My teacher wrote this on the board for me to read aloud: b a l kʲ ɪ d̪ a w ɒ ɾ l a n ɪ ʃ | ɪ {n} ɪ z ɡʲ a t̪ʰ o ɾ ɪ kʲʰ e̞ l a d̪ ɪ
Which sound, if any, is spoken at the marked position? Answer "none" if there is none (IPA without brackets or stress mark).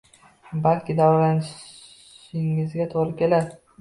ŋ